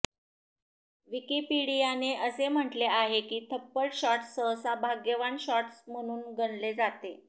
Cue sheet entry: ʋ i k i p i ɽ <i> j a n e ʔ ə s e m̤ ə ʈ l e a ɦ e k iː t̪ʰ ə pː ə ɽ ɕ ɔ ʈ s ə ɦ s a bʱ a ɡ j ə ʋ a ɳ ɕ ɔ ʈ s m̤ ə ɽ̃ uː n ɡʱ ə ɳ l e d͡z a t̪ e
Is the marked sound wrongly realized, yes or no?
no